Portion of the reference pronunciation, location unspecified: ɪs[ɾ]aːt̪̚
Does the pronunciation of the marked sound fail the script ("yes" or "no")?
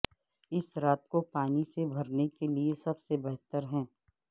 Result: no